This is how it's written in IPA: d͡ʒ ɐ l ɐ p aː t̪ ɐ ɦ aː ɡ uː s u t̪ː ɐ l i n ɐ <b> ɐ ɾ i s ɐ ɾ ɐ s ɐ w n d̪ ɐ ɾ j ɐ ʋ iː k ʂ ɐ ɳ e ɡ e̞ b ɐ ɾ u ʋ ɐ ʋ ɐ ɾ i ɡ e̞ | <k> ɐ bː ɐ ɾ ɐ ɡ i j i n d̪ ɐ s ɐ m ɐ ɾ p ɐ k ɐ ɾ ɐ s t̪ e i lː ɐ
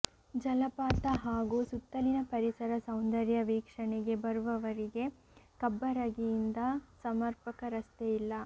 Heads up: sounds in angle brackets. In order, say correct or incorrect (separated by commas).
incorrect, correct